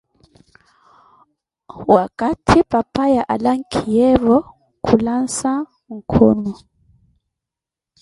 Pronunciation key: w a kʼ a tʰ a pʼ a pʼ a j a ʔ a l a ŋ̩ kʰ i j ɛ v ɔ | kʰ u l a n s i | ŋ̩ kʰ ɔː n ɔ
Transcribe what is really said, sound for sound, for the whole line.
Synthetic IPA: w a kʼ a tʰ i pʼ a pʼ a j a ʔ a l a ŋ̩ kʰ i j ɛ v ɔ | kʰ u l a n s a | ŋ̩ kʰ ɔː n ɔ